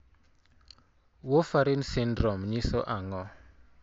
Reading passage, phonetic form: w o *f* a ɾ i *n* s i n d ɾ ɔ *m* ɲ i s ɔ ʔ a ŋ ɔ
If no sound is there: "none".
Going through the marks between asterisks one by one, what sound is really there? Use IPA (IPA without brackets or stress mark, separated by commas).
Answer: f, n, m